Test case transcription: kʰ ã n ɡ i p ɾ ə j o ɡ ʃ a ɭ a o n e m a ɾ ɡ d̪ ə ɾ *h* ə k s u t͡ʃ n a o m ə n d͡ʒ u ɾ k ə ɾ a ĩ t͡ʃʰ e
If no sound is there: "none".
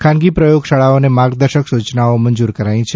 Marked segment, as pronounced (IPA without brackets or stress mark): ʃ